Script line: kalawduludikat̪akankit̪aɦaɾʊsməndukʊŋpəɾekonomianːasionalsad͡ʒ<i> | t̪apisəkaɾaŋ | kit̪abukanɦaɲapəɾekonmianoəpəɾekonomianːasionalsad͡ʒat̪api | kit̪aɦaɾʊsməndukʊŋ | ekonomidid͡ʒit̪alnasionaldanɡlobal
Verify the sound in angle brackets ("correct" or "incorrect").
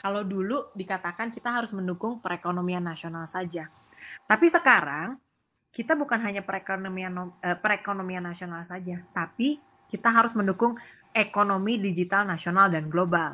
incorrect